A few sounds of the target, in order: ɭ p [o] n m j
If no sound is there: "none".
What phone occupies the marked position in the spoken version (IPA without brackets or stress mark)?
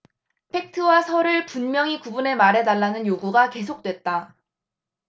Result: u